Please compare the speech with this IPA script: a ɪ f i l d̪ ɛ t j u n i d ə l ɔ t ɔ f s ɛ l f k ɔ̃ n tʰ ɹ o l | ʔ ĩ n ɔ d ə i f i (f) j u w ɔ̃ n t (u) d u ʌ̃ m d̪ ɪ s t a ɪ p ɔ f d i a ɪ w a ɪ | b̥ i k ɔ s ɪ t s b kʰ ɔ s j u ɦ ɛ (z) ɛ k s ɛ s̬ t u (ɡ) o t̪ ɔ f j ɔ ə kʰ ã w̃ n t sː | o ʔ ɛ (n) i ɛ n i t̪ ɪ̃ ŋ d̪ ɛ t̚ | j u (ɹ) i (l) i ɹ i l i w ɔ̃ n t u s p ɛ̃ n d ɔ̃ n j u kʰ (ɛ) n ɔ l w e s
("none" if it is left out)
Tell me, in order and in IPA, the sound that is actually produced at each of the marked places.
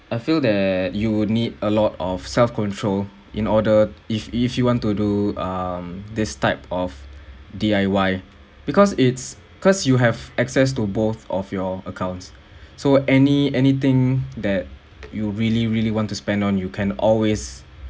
f, u, v, b, n, ɹ, l, ɛ̃

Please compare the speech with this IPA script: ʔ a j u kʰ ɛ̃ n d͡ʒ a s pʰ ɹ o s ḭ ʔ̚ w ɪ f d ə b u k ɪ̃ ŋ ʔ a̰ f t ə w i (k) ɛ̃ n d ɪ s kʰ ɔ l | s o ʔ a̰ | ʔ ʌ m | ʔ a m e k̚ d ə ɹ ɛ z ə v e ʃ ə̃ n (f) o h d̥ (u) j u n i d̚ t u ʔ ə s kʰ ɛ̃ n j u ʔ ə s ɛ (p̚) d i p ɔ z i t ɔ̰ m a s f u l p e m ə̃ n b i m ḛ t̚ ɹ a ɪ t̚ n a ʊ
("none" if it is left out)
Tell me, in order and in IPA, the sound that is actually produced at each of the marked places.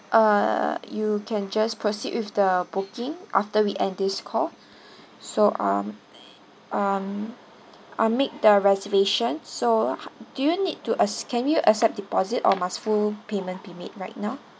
ʔ, s, u, p̚

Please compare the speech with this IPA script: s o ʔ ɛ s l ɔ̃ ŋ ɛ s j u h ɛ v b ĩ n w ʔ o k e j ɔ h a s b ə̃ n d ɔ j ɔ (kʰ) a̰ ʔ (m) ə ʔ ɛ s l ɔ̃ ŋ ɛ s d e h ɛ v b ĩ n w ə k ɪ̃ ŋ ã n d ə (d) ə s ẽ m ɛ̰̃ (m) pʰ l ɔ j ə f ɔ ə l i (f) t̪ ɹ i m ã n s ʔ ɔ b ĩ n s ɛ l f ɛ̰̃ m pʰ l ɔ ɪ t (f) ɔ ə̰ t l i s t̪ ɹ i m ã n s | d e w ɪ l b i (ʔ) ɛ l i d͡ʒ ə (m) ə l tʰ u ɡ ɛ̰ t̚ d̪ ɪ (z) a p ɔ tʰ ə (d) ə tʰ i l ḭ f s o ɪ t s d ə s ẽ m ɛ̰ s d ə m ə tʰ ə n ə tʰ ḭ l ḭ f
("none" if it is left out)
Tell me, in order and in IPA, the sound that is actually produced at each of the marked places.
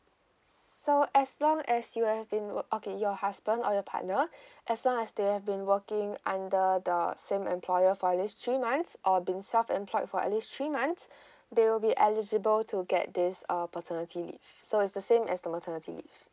pʰ, n, d, m, s, f, ʔ, b, s, n

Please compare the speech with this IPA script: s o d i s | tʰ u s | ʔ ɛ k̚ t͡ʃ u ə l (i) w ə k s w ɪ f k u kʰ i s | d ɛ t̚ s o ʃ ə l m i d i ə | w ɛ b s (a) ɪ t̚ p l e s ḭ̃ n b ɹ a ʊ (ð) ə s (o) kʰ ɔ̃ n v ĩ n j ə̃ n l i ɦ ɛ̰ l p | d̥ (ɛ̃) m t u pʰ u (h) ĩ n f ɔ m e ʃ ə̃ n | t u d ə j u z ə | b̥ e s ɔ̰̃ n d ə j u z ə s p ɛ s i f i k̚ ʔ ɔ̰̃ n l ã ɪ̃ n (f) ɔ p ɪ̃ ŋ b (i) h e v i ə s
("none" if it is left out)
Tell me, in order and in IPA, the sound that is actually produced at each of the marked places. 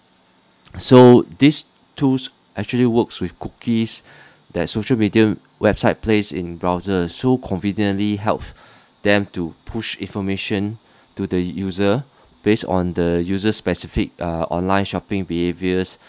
i, a, z, o, ɛ̃, ʃ, ʃ, i

